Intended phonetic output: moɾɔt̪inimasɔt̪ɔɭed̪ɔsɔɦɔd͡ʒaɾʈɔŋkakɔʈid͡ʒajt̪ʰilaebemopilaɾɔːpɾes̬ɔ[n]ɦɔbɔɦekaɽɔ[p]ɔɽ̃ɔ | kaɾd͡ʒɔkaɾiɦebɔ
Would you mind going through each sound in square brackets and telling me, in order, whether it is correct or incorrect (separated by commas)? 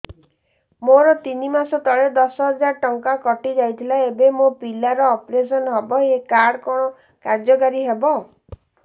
correct, incorrect